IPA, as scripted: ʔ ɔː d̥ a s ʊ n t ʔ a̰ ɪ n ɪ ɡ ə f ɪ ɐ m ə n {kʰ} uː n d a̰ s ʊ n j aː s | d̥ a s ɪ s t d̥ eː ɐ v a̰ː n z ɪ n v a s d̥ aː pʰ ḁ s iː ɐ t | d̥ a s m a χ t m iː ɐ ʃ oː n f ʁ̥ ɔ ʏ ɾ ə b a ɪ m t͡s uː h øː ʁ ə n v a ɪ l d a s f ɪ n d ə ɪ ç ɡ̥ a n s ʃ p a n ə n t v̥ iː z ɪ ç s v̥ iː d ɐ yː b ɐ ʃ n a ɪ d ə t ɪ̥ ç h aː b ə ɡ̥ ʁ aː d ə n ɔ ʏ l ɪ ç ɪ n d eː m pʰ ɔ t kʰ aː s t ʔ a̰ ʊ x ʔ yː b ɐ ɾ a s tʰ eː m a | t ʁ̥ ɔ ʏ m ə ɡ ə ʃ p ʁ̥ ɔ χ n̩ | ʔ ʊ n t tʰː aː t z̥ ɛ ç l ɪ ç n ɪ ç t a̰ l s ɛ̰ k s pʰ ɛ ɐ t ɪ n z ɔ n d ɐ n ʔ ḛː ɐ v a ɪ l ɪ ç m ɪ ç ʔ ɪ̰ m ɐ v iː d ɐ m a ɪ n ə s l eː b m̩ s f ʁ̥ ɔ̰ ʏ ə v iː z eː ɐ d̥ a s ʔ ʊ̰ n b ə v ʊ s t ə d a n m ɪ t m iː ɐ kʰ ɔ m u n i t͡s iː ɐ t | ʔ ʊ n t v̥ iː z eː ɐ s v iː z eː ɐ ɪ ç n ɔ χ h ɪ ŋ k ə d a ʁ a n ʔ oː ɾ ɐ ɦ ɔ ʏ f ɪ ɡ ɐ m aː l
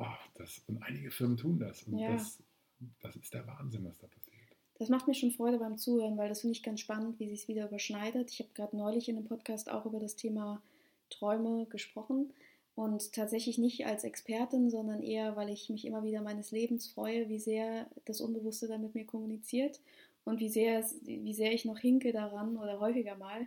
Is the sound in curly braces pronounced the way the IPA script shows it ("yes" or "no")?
no